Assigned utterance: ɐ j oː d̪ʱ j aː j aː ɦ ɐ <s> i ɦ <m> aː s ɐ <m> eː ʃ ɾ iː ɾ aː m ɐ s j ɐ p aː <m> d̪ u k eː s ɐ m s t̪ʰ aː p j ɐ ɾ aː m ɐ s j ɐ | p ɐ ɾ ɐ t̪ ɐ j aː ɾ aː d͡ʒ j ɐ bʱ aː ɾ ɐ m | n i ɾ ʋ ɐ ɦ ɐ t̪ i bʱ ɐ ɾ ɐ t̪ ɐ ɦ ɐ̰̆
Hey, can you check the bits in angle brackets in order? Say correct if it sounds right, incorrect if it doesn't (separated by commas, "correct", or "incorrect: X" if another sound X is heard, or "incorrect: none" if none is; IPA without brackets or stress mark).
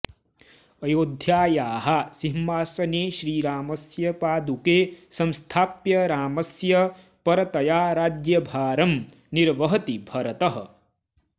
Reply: correct, correct, incorrect: n, incorrect: none